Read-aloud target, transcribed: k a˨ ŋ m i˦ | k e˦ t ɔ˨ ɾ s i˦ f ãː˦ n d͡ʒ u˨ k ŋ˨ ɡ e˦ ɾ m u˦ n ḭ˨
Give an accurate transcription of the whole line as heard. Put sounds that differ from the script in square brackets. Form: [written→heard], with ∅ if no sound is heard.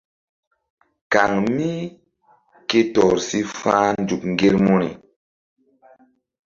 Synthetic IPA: k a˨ ŋ m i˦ | k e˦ t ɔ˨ ɾ s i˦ f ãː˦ n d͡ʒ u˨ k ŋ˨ ɡ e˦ ɾ m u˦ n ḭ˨